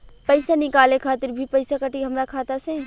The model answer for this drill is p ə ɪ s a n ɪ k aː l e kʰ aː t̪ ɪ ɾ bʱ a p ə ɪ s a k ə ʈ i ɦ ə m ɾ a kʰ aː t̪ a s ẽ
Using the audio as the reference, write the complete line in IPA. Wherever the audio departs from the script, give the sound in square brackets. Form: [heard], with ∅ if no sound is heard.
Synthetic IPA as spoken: p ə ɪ s a n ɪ k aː l e kʰ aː t̪ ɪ ɾ bʱ [i] p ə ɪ s a k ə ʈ i ɦ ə m ɾ a kʰ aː t̪ a s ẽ